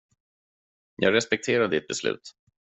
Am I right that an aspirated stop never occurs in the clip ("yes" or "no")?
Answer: no